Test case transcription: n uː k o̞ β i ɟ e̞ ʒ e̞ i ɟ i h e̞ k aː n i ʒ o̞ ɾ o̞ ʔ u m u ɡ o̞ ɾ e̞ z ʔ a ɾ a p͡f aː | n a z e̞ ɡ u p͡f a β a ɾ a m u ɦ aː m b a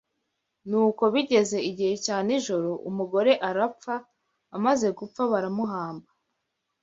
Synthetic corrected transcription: n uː k o̞ β i ɟ e̞ z e̞ i ɟ i h e̞ c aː n i ʒ o̞ ɾ o̞ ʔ u m u ɡ o̞ ɾ e̞ ʔ a ɾ a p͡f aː | m a z e̞ ɡ u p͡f a β a ɾ a m u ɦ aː m b a

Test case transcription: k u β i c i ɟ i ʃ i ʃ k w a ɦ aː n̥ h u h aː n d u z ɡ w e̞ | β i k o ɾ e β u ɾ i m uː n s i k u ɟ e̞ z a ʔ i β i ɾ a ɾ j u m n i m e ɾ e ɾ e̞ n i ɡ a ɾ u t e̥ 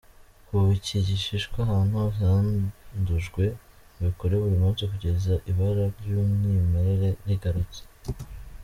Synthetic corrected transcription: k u β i c i ɟ i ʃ i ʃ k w a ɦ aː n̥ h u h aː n d u ʒ ɡ w e̞ | β i k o ɾ e β u ɾ i m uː n s i k u ɟ e̞ z a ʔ i β a ɾ a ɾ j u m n i m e ɾ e ɾ e̞ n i ɡ a ɾ u t͡s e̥

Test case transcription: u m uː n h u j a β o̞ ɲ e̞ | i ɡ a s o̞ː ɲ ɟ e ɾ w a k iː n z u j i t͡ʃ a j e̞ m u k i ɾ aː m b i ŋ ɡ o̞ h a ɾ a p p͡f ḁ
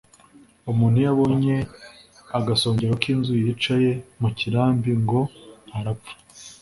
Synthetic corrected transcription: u m uː n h u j a β o̞ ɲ e̞ | a ɡ a s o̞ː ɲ ɟ e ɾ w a k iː n z u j i t͡ʃ a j e̞ m u c i ɾ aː m b i ŋ ɡ o̞ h a ɾ a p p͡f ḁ

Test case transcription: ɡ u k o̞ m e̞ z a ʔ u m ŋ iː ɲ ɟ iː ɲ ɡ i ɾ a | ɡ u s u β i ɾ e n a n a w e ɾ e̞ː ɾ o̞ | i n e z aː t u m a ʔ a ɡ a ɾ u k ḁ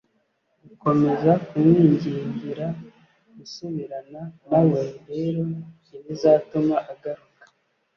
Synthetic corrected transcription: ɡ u k o̞ m e̞ z a k u m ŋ iː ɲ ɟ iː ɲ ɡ i ɾ a | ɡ u s u β i ɾ a n a n a w e ɾ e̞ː ɾ o̞ | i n i z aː t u m a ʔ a ɡ a ɾ u k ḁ

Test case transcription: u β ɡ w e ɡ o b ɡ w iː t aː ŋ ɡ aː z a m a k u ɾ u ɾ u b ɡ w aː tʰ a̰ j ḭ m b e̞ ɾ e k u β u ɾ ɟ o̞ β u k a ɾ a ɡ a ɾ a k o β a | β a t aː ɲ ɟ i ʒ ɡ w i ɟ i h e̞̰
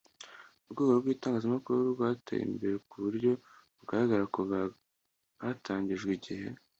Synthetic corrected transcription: u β ɡ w e ɡ o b ɡ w iː t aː ŋ ɡ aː z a m a k u ɾ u ɾ u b ɡ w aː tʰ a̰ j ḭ m b e̞ ɾ e k u β u ɾ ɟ o̞ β u ɡ a ɾ a ɡ a ɾ a k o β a | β a t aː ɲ ɟ i ʒ ɡ w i ɟ i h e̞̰

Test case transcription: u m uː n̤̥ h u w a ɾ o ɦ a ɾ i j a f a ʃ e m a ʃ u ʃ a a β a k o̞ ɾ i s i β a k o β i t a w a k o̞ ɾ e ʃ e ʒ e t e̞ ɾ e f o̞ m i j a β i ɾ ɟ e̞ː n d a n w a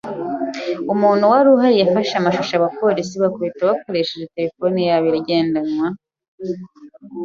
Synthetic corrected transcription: u m uː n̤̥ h u w a ɾ u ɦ a ɾ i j a f a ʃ a m a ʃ u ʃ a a β a p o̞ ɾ i s i β a k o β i t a w a k o̞ ɾ e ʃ e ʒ e t e̞ ɾ e f o̞ n i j a β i ɾ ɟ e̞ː n d a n w a

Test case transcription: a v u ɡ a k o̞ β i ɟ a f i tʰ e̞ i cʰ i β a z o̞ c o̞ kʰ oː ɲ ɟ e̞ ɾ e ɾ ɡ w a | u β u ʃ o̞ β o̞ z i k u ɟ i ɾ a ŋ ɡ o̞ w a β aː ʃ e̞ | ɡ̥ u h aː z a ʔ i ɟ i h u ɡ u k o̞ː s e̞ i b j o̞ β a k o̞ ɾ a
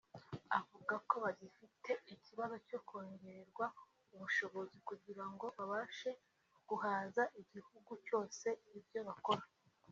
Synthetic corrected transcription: a v u ɡ a k o̞ β a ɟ i f i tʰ e̞ i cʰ i β a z o̞ c o̞ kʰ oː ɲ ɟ e̞ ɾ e ɾ ɡ w a | u β u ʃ o̞ β o̞ z i k u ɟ i ɾ a ŋ ɡ o̞ β a β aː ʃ e̞ | ɡ̥ u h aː z a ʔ i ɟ i h u ɡ u c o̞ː s e̞ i b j o̞ β a k o̞ ɾ a

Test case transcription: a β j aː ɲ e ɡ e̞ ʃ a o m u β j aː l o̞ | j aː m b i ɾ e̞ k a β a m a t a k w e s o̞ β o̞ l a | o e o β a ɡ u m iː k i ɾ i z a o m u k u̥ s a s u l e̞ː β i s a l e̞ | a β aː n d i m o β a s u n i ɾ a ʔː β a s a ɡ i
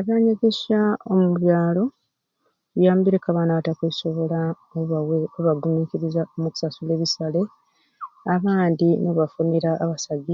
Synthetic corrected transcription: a β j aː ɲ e ɡ e̞ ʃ a o m u β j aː l o̞ | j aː m b i ɾ e̞ k a β a n a t a k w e s o̞ β o̞ l a | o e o β a ɡ u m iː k i ɾ i z a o m u k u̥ s a s u l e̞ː β i s a l e̞ | a β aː n d i n o β a f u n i ɾ a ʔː β a s a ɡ i

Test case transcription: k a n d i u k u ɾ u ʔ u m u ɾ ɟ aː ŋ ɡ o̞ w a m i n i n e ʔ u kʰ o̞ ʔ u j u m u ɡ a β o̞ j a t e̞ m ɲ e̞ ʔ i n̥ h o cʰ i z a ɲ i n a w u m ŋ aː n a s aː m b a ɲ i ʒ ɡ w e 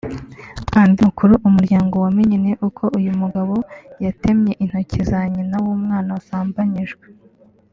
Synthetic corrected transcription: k a n d i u k u ɾ u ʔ u m u ɾ ɟ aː ŋ ɡ o̞ w a m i ɲ i n e ʔ u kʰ o̞ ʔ u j u m u ɡ a β o̞ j a t e̞ m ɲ e̞ ʔ i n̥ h o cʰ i z a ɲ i n a w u m ŋ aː n a s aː m b a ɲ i ʒ ɡ w e

